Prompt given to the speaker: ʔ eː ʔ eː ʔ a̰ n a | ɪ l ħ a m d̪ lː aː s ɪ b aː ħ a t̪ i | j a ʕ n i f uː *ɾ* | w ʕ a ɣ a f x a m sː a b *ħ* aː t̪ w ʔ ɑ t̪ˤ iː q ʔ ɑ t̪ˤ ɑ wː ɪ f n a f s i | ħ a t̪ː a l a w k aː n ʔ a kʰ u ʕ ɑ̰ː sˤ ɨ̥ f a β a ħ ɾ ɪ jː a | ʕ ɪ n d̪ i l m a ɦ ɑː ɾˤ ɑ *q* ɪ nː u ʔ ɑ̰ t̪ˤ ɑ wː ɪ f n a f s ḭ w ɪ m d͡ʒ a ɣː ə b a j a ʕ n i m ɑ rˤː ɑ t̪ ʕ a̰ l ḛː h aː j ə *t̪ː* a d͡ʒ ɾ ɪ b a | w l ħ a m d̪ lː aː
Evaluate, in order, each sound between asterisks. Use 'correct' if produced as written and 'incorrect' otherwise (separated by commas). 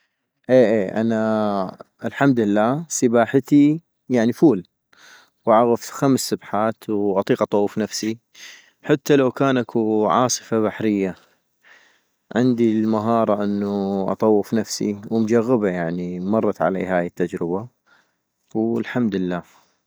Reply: incorrect, correct, incorrect, correct